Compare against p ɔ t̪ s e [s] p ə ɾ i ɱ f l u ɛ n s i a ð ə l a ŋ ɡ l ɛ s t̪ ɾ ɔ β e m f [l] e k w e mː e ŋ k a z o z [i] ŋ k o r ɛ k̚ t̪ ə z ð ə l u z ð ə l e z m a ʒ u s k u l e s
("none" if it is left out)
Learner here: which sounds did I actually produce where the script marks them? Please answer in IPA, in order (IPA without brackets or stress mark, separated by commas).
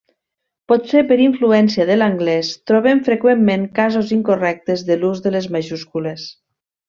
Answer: none, ɾ, i